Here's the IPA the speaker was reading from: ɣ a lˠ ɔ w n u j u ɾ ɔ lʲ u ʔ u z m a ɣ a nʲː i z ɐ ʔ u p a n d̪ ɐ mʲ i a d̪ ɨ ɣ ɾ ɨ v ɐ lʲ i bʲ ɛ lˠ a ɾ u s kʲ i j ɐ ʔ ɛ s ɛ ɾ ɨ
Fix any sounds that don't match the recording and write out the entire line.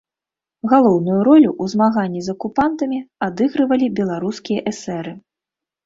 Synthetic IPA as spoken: ɣ a lˠ ɔ w n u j u ɾ ɔ lʲ u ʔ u z m a ɣ a nʲː i z ɐ k u p a n t̪ ɐ mʲ i a d̪ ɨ ɣ ɾ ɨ v ɐ lʲ i bʲ ɛ lˠ a ɾ u s kʲ i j ɐ ʔ ɛ s ɛ ɾ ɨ